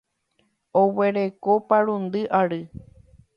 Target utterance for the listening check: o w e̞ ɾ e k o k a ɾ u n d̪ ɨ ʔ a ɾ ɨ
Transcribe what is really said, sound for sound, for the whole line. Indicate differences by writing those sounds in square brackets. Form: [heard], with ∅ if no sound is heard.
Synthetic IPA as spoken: o w e̞ ɾ e k o [p] a ɾ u n d̪ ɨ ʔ a ɾ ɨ